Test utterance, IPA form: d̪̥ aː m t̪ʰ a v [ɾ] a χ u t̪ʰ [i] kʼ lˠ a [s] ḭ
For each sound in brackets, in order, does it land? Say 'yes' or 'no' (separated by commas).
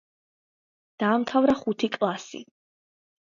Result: yes, yes, yes